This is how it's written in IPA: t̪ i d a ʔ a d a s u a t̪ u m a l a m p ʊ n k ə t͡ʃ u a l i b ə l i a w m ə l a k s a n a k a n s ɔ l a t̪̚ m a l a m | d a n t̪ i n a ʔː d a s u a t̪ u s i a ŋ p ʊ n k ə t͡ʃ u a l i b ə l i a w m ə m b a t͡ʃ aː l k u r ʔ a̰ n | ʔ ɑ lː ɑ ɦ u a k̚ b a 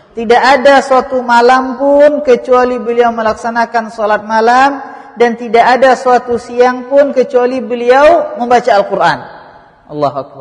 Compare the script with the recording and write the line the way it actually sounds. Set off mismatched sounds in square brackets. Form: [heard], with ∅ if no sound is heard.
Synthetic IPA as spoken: t̪ i d a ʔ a d a s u a t̪ u m a l a m p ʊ n k ə t͡ʃ u a l i b ə l i a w m ə l a k s a n a k a n s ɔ l a t̪̚ m a l a m | d a n t̪ i [d] a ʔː d a s u a t̪ u s i a ŋ p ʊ n k ə t͡ʃ u a l i b ə l i a w m ə m b a t͡ʃ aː l k u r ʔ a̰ n | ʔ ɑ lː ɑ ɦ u a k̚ b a